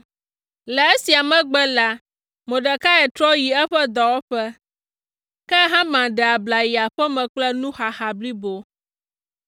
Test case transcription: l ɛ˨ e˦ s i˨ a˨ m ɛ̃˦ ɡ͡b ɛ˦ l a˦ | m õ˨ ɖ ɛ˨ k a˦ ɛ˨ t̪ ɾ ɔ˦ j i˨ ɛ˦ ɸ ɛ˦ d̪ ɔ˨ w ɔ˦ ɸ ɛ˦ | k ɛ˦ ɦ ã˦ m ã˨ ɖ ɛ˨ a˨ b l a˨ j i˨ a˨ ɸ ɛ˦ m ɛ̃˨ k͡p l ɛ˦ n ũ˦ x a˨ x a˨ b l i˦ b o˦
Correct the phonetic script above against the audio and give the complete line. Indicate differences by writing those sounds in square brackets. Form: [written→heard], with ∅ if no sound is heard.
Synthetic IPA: l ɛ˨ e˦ s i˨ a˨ m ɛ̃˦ ɡ͡b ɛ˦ l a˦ | m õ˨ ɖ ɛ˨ k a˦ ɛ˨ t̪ ɾ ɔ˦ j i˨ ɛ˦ ɸ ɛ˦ d̪ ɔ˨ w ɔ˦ ɸ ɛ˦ | k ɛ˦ ɦ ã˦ m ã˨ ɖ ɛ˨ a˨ b l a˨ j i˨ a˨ ɸ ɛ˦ m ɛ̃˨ k͡p l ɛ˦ n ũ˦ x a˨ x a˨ b l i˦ b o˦